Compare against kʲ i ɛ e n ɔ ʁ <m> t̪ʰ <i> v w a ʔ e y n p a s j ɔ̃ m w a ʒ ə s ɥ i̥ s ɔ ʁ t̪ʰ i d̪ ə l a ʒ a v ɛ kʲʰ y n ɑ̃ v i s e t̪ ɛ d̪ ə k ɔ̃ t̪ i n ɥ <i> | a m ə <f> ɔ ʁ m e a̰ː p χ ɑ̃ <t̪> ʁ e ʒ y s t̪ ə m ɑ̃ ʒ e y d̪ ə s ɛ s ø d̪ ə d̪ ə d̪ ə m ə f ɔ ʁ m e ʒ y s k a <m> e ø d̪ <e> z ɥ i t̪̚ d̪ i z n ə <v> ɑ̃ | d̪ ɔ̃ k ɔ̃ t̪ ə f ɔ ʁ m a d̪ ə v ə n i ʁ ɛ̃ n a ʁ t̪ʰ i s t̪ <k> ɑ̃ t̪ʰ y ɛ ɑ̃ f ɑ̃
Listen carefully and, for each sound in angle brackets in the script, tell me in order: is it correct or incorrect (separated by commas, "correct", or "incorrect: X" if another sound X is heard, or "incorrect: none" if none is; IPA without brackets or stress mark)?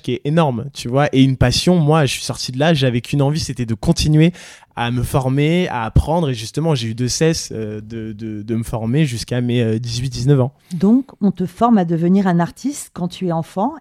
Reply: correct, incorrect: y, incorrect: e, correct, incorrect: d̪, correct, incorrect: i, correct, correct